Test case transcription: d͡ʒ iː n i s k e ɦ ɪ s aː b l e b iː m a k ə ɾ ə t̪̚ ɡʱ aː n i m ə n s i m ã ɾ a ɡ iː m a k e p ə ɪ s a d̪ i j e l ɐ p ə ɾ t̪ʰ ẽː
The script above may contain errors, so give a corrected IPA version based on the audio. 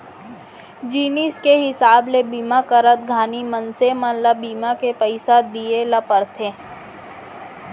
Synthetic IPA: d͡ʒ iː n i s k e ɦ ɪ s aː b l e b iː m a k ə ɾ ə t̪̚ ɡʱ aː n i m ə n s e m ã l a b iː m a k e p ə ɪ s a d̪ i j e l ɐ p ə ɾ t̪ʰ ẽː